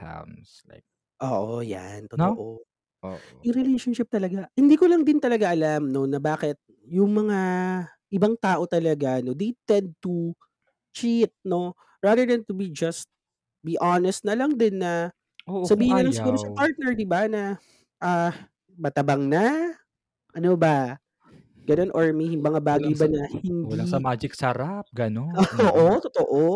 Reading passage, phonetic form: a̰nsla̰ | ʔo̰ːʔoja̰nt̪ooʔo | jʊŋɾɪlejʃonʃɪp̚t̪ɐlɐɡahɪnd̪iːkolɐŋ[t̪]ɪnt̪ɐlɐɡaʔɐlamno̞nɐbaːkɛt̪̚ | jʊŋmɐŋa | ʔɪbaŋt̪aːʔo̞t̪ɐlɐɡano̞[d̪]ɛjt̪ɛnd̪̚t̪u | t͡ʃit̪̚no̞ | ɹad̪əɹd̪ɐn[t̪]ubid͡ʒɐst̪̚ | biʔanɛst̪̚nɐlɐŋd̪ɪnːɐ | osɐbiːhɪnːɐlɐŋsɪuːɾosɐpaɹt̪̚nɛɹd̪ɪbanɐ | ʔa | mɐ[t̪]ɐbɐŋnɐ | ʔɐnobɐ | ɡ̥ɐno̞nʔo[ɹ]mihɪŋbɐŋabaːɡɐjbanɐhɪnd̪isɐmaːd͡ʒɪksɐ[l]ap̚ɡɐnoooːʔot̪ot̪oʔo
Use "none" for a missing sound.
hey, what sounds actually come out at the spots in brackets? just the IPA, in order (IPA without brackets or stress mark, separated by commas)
d̪, d̪, t̪, t̪, ɹ, ɾ